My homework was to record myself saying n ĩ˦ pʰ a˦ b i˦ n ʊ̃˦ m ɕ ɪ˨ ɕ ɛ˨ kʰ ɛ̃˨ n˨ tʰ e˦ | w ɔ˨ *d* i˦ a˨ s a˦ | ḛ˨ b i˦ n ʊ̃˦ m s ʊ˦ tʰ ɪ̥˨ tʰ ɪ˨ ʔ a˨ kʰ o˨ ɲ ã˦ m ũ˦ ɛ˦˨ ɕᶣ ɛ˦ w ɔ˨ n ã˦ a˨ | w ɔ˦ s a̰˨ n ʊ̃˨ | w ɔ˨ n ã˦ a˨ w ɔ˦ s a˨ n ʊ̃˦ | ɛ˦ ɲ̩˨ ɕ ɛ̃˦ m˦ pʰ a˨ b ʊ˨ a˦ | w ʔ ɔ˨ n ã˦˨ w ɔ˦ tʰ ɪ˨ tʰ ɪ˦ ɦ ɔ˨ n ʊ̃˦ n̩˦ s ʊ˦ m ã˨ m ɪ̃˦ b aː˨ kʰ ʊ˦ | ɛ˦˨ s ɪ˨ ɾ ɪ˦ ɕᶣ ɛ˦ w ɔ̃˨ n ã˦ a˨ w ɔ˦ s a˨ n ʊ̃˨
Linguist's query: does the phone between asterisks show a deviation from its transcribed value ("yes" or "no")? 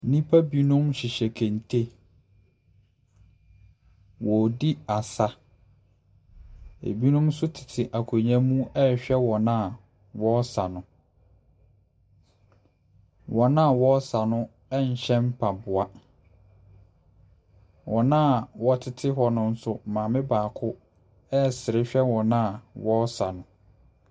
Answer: no